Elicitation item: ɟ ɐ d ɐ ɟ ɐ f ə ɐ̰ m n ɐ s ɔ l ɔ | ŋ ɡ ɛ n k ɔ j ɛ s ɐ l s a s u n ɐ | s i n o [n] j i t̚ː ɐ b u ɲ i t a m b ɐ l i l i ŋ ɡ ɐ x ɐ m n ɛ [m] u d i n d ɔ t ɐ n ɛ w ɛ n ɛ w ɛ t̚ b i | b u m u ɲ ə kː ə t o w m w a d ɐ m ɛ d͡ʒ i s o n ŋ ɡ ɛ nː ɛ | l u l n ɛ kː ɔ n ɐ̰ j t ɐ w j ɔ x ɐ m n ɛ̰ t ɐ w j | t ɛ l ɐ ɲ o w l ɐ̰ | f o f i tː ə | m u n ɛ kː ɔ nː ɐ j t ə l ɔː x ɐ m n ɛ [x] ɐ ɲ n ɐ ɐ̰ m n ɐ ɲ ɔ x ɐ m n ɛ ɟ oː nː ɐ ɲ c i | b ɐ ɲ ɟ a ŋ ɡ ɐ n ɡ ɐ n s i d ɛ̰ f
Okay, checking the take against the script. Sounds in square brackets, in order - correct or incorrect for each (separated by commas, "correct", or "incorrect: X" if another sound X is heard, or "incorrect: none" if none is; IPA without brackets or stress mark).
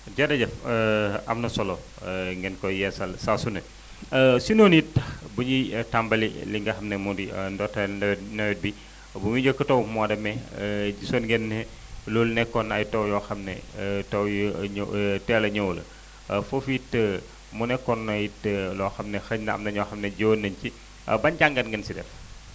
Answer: correct, correct, correct